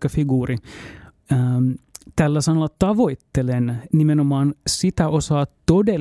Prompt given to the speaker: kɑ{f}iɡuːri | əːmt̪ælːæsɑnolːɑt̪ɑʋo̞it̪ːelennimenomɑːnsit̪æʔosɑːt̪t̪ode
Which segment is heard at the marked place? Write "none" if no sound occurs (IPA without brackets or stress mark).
f